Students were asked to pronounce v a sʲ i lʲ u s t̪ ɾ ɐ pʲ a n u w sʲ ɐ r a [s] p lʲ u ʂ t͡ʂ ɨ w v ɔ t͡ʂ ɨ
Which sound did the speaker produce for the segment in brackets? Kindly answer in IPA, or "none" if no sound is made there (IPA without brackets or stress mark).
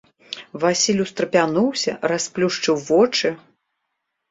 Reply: s